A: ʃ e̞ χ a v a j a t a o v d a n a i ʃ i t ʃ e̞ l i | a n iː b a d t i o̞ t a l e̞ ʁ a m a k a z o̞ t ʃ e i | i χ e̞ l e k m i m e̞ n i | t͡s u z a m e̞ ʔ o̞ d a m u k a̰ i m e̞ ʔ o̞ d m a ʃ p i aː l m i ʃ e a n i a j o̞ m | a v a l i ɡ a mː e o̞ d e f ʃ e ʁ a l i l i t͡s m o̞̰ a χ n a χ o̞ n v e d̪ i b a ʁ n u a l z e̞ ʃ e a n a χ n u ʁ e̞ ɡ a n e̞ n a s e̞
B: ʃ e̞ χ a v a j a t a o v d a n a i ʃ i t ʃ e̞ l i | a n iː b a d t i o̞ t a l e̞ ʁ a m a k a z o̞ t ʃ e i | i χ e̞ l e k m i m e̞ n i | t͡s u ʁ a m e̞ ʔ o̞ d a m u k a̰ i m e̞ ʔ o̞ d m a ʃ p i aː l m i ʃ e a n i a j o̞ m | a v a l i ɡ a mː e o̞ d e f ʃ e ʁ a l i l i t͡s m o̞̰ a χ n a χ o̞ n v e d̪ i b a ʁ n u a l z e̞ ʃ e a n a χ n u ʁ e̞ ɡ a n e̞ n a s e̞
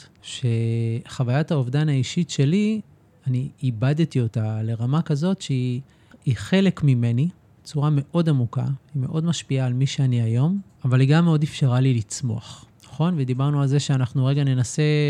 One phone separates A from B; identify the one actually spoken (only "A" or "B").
B